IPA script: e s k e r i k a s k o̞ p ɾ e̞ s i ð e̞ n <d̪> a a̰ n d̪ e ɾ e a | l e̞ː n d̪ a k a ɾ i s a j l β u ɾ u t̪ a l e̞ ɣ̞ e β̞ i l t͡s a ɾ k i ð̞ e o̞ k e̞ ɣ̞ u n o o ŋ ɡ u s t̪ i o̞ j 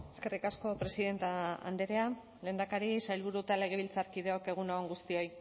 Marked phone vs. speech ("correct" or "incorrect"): incorrect